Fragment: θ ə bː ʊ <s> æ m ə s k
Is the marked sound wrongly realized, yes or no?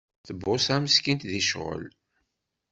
no